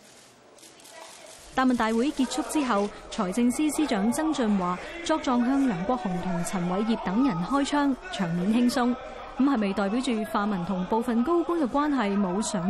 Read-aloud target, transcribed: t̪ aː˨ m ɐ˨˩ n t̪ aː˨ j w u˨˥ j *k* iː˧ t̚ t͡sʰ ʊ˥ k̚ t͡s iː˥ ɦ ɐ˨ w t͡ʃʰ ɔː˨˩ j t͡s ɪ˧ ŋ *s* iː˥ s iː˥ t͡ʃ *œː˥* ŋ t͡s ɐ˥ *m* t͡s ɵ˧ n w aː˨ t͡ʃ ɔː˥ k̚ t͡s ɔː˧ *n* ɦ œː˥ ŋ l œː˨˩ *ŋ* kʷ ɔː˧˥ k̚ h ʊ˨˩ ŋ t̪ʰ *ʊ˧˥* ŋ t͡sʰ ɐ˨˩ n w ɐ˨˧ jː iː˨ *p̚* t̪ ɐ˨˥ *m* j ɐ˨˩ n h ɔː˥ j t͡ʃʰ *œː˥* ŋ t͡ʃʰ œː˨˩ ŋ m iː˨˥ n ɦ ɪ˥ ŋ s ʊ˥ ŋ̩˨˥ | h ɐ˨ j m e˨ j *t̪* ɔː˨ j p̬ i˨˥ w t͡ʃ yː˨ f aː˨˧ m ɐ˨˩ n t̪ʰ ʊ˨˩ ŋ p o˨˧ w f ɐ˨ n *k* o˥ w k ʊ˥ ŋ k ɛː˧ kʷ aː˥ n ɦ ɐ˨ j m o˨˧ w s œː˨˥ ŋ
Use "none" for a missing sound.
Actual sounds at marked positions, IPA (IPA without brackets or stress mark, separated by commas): k, s, œː˨˥, ŋ, ŋ, ŋ, ʊ˨˩, p̚, ŋ, œː˥, t̪, k